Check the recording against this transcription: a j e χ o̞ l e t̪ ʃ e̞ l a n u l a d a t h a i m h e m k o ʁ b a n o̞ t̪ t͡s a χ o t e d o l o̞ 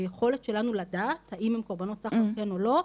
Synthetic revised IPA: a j e χ o̞ l e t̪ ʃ e̞ l a n u l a d a t h a i m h e m k o ʁ b a n o̞ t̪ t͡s a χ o k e n o l o̞